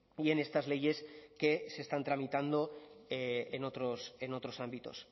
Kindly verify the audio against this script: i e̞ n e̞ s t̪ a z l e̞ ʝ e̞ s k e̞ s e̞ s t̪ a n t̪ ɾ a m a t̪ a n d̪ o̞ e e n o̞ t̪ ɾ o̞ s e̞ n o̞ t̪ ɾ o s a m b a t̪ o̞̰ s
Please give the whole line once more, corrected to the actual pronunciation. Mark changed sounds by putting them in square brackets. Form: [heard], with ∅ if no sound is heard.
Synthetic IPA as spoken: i e̞ n e̞ s t̪ a z l e̞ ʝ e̞ s k e̞ s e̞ s t̪ a n t̪ ɾ a m [i] t̪ a n d̪ o̞ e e n o̞ t̪ ɾ o̞ s e̞ n o̞ t̪ ɾ o s a m b [i] t̪ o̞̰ s

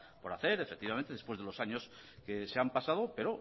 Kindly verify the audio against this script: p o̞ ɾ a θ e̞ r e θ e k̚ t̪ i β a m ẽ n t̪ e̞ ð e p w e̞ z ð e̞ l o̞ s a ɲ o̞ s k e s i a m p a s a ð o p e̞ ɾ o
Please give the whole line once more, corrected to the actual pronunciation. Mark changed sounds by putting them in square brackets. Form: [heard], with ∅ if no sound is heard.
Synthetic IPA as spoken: p o̞ ɾ a θ e̞ [ɾ] e [f] e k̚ t̪ i β a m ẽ n t̪ e̞ ð e p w e̞ z ð e̞ l o̞ s a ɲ o̞ s k e s [e] a m p a s a ð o p e̞ ɾ o

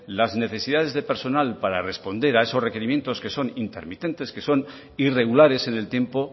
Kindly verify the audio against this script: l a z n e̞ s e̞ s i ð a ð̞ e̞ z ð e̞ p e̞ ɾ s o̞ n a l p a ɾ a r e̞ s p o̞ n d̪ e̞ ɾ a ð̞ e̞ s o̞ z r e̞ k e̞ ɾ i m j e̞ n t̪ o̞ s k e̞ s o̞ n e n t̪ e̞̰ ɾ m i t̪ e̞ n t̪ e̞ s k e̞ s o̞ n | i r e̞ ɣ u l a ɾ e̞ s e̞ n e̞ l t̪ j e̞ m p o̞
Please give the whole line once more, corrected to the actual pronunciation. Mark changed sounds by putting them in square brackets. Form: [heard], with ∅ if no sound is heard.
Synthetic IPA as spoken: l a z n e̞ [θ] e̞ s i ð a ð̞ e̞ z ð e̞ p e̞ ɾ s o̞ n a l p a ɾ a r e̞ s p o̞ n d̪ e̞ ɾ a [∅] e̞ s o̞ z r e̞ k e̞ ɾ i m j e̞ n t̪ o̞ s k e̞ s o̞ n [i] n t̪ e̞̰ ɾ m i t̪ e̞ n t̪ e̞ s k e̞ s o̞ n | i r e̞ ɣ u l a ɾ e̞ s e̞ n e̞ l t̪ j e̞ m p o̞

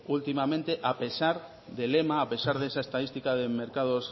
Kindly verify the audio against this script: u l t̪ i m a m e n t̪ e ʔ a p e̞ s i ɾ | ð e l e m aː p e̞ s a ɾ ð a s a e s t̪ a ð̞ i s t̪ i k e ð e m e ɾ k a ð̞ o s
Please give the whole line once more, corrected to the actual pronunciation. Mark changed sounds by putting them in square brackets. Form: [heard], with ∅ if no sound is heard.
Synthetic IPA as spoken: u l t̪ i m a m [ẽ] n t̪ e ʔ a p e̞ s [a] ɾ | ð e l e m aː p e̞ s a ɾ ð [e] s a e s t̪ a ð̞ i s t̪ i k [a] ð e m e ɾ k a ð̞ o s

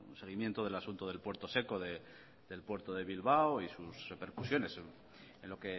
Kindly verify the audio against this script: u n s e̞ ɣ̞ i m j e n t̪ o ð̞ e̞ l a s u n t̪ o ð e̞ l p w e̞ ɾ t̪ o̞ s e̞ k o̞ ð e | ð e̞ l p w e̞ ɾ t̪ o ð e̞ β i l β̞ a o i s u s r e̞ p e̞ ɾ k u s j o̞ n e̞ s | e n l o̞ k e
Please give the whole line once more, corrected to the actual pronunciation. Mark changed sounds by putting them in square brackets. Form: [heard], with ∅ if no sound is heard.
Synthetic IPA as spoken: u n s e̞ ɣ̞ i m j e n t̪ o ð̞ e̞ l a s u n t̪ o ð e̞ l p w e̞ ɾ t̪ o̞ s e̞ k o̞ ð e | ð e̞ l p w e̞ ɾ t̪ o ð e̞ β i l β̞ a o i s u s r e̞ p e̞ ɾ k u s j o̞ n e̞ s | e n l o̞ k e

